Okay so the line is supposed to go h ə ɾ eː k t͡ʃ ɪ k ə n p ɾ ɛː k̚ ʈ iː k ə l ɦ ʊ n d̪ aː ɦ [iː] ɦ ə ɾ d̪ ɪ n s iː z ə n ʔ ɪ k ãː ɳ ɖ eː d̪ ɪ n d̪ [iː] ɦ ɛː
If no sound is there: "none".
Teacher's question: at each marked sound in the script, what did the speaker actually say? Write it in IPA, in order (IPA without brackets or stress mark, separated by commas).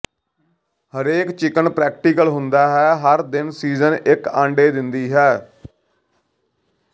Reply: ɛː, iː